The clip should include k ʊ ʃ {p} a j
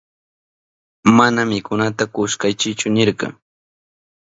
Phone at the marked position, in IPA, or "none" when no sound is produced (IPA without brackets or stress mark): k